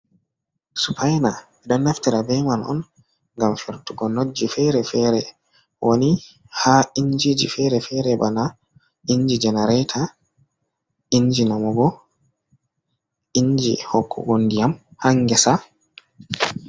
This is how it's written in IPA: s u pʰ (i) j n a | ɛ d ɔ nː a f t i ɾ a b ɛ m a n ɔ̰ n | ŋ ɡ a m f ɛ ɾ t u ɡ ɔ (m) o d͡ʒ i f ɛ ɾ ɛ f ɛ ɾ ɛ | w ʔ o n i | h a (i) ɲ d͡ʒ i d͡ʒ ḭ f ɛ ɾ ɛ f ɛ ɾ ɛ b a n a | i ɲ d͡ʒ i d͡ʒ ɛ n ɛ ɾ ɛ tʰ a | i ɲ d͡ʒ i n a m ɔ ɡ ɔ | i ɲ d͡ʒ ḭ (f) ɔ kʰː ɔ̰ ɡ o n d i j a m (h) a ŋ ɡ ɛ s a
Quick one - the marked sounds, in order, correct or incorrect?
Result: incorrect, incorrect, correct, incorrect, correct

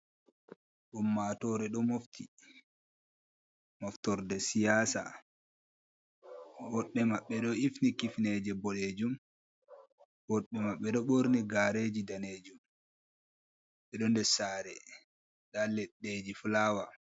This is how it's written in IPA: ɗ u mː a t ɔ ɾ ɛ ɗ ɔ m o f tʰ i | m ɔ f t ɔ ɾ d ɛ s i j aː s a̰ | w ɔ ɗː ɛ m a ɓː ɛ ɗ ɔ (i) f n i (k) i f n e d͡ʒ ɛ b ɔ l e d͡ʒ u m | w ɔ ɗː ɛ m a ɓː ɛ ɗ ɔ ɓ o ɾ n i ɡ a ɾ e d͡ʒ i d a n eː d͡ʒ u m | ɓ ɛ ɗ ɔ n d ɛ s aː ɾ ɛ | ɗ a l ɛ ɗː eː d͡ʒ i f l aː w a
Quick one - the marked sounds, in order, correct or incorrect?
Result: correct, correct

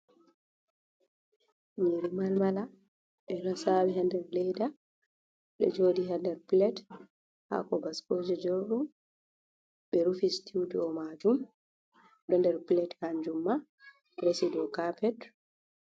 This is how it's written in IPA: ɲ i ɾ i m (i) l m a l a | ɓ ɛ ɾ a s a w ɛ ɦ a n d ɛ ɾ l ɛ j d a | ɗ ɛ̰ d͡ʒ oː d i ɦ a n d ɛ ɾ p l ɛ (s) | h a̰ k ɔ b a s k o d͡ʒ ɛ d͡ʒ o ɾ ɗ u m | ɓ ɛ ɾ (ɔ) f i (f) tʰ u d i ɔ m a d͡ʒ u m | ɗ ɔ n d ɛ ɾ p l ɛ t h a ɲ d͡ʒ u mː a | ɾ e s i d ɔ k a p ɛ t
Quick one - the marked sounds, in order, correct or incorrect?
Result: incorrect, incorrect, incorrect, incorrect

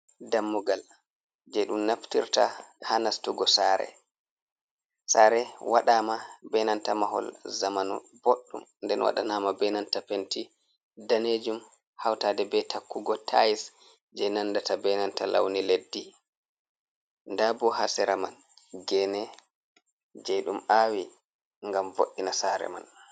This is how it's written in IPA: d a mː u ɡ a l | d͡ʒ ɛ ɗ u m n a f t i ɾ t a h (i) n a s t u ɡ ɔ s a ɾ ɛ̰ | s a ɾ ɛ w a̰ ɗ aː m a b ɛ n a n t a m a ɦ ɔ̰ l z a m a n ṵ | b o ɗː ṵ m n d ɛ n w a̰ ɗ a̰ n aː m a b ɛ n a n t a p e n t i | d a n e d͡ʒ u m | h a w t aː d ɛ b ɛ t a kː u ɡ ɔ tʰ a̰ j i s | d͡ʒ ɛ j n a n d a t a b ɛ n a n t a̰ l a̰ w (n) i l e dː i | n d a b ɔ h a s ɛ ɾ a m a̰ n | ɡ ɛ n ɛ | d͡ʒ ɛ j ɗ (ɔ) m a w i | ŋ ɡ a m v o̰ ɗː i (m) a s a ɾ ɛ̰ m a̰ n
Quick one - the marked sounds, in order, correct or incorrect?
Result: incorrect, correct, incorrect, incorrect

